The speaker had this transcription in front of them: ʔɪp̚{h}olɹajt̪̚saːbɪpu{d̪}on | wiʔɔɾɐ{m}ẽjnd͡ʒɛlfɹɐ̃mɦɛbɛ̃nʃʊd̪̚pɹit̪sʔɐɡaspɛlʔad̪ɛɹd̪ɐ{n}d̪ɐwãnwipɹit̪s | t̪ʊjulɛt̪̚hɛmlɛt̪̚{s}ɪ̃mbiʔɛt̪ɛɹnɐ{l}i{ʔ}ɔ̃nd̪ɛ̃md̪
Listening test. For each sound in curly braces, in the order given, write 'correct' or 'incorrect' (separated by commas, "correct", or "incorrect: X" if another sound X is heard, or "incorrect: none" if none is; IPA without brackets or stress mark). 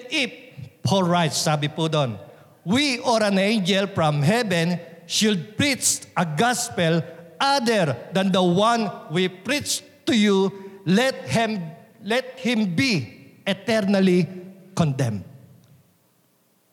correct, correct, incorrect: n, correct, incorrect: h, correct, incorrect: k